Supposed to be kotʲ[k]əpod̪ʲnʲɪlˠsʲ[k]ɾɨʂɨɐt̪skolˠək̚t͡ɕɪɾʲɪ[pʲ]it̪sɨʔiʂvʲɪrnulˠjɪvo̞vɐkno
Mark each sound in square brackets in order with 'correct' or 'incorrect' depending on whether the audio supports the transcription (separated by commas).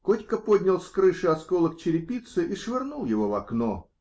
correct, correct, correct